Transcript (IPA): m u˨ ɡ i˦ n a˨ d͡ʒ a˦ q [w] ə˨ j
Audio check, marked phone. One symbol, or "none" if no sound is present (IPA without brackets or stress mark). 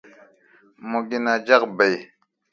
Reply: b